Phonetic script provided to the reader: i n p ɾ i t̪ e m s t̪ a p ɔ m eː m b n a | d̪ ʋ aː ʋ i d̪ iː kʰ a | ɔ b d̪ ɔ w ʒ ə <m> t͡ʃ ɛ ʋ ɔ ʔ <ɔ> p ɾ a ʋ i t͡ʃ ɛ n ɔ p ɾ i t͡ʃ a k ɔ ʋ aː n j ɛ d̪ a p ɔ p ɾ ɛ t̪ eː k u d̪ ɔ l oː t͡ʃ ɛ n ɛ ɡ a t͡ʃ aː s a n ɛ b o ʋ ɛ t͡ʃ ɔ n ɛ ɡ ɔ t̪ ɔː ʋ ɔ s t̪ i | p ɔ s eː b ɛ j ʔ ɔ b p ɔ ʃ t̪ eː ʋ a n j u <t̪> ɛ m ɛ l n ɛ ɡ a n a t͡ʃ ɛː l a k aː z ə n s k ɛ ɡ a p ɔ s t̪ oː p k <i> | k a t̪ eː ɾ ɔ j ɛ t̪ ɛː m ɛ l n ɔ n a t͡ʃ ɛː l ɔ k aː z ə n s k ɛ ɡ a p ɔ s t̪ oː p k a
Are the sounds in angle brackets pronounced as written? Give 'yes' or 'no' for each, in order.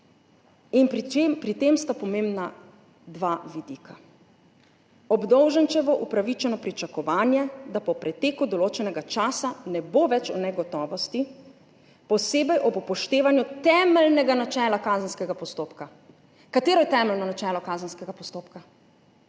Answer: no, no, yes, no

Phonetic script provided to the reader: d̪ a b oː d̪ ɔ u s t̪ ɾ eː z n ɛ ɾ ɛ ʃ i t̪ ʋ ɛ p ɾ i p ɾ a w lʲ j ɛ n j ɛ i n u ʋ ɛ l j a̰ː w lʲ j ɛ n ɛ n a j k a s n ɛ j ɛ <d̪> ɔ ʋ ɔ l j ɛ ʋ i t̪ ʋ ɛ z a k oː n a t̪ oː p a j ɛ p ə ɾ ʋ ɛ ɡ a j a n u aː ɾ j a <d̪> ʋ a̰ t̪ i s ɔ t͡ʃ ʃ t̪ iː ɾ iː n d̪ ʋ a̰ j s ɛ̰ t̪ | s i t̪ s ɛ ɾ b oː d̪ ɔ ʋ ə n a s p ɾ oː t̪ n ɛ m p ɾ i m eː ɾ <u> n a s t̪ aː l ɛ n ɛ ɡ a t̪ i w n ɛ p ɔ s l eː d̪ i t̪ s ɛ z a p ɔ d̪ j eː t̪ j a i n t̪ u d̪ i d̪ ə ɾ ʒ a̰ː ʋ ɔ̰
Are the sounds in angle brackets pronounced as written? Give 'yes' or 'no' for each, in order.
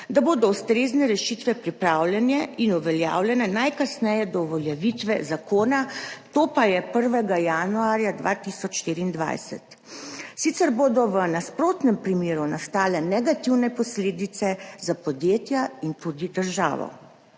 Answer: yes, yes, yes

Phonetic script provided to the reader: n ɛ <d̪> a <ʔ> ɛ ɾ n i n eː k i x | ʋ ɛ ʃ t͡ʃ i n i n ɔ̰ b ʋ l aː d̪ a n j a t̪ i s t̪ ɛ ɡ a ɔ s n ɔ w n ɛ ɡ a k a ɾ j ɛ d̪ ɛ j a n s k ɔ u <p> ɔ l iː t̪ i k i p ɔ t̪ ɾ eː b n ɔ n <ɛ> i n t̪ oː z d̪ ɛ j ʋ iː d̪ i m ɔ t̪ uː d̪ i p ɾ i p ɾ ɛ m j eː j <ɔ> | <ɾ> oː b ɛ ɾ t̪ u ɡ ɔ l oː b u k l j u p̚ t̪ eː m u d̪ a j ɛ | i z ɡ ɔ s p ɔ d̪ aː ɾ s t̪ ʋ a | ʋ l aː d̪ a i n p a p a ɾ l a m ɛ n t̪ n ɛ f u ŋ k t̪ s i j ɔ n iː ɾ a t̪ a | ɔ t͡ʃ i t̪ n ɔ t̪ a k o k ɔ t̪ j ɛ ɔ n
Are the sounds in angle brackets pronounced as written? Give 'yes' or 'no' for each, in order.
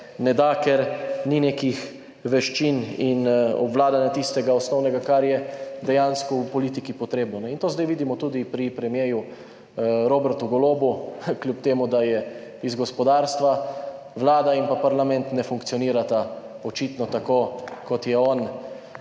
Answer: yes, no, yes, yes, no, yes

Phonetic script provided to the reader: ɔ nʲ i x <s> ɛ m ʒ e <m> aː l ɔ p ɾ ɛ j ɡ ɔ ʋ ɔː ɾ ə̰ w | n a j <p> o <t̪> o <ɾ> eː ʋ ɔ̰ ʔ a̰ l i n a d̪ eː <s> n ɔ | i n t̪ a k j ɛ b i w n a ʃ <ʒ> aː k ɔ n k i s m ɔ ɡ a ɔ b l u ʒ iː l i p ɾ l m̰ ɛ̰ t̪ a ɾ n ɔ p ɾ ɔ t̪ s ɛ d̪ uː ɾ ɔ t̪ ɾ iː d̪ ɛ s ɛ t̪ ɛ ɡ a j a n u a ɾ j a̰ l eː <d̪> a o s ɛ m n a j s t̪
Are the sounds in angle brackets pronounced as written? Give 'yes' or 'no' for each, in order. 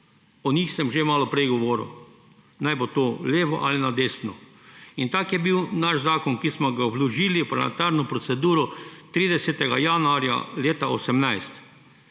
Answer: yes, yes, no, yes, no, yes, no, no

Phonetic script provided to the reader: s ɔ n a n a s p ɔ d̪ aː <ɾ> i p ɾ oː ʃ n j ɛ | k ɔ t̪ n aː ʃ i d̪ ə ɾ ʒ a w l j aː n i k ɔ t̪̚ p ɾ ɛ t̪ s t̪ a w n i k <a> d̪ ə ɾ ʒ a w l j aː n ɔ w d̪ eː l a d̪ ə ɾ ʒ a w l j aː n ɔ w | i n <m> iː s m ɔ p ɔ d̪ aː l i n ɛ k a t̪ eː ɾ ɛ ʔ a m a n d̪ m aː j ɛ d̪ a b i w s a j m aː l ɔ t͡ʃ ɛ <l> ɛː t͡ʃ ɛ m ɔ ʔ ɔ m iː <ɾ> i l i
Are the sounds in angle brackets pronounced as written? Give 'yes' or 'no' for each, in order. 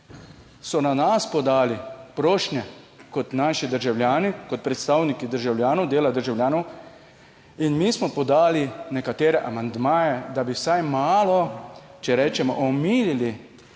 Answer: no, no, yes, no, no

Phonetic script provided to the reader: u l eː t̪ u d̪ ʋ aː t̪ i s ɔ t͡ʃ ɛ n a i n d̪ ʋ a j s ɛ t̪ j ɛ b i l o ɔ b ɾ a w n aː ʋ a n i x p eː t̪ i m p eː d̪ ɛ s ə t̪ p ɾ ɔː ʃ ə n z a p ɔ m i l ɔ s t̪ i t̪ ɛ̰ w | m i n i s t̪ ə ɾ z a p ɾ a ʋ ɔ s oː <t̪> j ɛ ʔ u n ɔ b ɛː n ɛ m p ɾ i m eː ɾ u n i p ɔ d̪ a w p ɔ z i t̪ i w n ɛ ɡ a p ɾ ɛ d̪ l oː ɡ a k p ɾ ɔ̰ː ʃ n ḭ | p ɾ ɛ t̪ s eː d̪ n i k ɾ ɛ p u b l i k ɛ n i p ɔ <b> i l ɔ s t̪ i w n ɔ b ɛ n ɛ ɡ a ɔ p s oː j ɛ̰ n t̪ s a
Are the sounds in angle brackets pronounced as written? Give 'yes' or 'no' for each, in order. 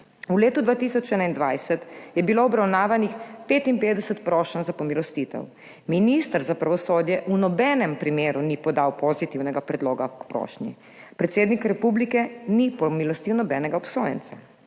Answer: no, no

